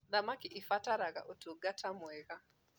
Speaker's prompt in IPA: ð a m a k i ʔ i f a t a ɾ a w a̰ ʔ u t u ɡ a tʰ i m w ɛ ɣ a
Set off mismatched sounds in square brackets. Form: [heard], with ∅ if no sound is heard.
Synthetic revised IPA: ð a m a k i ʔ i f a t a ɾ a [ɣ] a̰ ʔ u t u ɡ a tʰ [a] m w ɛ ɣ a